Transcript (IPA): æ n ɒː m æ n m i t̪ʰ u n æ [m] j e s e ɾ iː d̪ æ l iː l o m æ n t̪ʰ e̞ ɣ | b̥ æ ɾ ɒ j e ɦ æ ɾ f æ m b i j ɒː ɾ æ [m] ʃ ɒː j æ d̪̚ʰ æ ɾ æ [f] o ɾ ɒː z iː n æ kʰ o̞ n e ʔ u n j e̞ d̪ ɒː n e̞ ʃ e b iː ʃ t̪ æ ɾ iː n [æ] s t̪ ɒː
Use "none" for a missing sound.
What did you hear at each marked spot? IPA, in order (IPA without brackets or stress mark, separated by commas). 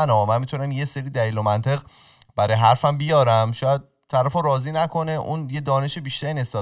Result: m, m, f, e